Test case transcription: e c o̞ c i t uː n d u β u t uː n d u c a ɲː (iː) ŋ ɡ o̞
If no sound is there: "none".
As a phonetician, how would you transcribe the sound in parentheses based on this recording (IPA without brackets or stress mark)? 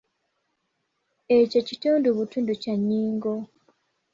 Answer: iː